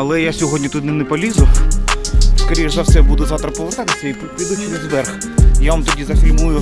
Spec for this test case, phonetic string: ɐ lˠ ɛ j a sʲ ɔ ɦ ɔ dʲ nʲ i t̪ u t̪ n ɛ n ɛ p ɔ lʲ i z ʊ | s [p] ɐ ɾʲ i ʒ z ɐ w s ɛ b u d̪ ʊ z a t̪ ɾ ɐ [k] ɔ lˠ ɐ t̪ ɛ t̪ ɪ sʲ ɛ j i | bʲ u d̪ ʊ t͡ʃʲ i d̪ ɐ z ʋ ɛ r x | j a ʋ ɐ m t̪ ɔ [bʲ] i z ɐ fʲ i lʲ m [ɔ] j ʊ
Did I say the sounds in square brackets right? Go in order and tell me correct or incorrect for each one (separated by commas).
incorrect, incorrect, incorrect, incorrect